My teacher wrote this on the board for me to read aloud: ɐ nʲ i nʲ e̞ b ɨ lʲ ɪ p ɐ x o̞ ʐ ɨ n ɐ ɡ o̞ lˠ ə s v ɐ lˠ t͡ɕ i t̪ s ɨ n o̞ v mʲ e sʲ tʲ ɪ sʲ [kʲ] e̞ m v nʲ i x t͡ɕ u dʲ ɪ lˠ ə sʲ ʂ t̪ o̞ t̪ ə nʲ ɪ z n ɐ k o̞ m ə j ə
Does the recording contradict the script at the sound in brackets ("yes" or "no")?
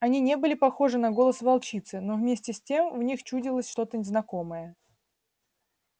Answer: yes